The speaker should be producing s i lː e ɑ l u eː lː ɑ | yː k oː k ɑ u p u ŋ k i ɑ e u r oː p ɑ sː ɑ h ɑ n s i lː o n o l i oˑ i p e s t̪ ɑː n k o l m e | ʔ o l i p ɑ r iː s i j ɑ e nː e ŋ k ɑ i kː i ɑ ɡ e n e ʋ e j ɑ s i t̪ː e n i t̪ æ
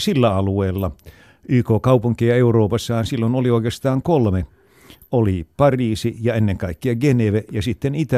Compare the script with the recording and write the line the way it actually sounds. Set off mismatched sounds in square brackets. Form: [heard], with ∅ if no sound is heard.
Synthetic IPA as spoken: s i lː [æ] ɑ l u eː lː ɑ | yː k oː k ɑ u p u ŋ k i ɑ e u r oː p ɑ sː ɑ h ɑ n s i lː o n o l i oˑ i [k] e s t̪ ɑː [ŋ] k o l m e | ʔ o l i p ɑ r iː s i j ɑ e nː e ŋ k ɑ i kː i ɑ ɡ e n e ʋ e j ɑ s i t̪ː e n i t̪ æ